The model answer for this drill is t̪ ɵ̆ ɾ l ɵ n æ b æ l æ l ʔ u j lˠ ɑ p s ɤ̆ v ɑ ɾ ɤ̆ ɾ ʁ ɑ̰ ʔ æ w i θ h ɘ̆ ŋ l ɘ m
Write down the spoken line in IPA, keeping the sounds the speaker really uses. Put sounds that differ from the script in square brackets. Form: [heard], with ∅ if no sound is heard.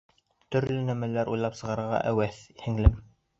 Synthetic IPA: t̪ ɵ̆ ɾ l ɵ n æ [m] æ l æ [ɾ] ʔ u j lˠ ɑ p s ɤ̆ [ʁ] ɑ ɾ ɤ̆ ɾ ʁ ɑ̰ ʔ æ w [æ] θ h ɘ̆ ŋ l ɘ m